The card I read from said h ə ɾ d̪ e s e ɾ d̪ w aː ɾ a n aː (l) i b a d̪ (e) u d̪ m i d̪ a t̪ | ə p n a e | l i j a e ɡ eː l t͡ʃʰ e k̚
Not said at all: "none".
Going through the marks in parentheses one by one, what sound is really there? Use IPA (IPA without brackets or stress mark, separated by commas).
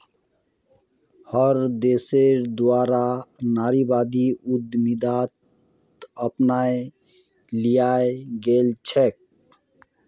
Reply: ɾ, i